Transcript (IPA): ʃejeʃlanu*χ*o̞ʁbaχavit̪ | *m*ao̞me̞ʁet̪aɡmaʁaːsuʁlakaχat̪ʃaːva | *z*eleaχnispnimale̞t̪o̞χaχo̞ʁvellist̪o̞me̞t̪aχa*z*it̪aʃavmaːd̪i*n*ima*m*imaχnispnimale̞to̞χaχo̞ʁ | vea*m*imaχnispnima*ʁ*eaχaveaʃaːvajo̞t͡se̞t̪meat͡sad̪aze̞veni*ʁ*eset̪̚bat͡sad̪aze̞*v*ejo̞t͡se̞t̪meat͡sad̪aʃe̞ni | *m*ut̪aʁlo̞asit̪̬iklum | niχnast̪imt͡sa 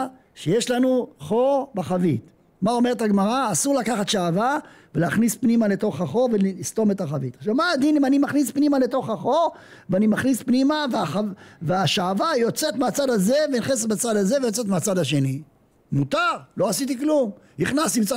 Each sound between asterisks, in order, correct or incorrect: correct, correct, incorrect: v, incorrect: v, correct, incorrect: n, incorrect: n, incorrect: v, incorrect: χ, correct, correct

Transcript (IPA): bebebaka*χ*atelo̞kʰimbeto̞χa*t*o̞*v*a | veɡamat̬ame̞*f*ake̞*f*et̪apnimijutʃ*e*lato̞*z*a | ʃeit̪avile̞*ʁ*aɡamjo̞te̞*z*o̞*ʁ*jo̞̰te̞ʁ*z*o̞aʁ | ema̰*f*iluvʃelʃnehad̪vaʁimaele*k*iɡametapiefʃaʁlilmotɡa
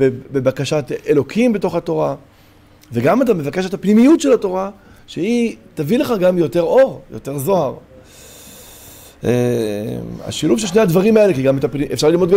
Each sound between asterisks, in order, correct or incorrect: incorrect: ʃ, correct, incorrect: ʁ, incorrect: v, incorrect: ʃ, correct, incorrect: ʁ, incorrect: χ, incorrect: ʁ, correct, correct, incorrect: ʃ, correct

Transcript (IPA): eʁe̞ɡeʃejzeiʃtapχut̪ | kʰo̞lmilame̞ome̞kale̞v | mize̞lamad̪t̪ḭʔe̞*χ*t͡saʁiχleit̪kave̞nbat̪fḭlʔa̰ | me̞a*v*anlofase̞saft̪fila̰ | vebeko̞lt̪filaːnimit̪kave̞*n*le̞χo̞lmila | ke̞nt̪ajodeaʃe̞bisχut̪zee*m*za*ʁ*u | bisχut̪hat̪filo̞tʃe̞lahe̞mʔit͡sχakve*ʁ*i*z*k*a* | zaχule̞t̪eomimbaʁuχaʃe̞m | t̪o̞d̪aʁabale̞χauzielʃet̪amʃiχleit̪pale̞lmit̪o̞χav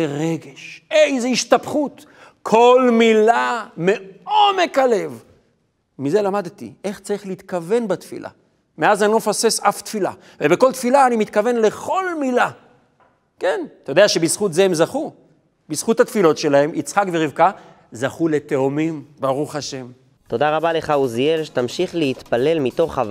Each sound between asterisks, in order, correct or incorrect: correct, incorrect: z, correct, correct, incorrect: χ, correct, incorrect: v, correct

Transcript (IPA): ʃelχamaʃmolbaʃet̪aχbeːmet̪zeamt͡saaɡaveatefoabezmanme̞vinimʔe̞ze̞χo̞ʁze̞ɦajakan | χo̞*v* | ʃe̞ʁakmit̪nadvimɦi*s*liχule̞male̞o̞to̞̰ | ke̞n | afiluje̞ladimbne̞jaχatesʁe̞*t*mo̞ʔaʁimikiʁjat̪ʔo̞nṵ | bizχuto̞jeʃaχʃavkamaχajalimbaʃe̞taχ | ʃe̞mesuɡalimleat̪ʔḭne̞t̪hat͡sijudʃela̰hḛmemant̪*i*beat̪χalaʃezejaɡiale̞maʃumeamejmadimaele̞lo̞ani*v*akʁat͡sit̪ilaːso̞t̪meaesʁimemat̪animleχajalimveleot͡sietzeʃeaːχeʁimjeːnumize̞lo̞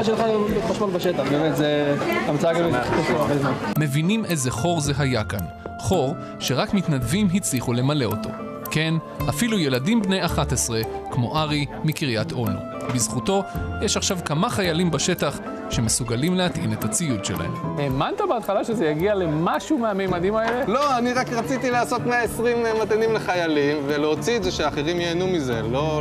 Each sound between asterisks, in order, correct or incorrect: incorrect: ʁ, incorrect: t͡s, incorrect: k, incorrect: a, incorrect: ʁ

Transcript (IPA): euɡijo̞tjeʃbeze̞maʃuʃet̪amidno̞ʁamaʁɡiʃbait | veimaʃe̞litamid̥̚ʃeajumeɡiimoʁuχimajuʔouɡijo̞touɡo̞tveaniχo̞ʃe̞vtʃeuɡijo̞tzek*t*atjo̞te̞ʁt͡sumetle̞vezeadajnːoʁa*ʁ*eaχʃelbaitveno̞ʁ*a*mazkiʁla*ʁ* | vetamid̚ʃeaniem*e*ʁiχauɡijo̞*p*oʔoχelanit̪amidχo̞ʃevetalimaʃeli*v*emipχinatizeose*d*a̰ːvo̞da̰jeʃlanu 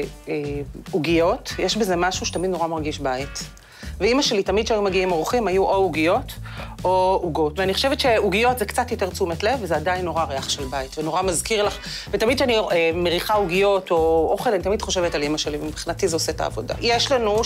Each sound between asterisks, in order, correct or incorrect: incorrect: t͡s, correct, correct, incorrect: χ, correct, incorrect: t, correct, incorrect: t

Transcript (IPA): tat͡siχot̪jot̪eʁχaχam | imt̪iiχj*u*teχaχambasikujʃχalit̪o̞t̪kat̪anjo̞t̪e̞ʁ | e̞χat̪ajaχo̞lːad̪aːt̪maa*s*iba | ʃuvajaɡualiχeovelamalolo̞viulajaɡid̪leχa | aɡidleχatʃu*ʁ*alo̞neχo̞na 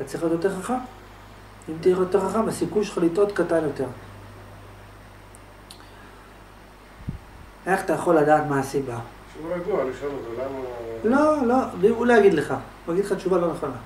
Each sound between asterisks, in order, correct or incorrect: incorrect: o, correct, incorrect: v

